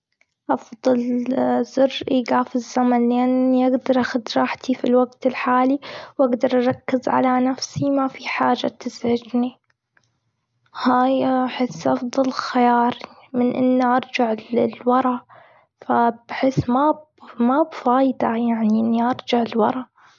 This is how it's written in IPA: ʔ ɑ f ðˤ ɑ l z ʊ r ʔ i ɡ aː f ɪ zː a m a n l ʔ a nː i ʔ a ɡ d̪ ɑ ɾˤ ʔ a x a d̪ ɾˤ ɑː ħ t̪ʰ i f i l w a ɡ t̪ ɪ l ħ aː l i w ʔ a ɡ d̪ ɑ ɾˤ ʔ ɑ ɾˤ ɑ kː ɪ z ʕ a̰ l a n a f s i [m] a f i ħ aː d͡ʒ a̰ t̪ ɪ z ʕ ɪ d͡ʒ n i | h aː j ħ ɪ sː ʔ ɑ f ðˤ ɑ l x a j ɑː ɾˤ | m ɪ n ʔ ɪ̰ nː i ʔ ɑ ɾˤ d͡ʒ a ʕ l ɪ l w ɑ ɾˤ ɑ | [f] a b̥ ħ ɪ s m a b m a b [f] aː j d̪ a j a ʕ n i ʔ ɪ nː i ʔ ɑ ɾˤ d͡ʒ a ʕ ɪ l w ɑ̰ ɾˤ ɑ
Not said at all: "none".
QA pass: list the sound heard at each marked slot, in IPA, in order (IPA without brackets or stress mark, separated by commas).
m, f, f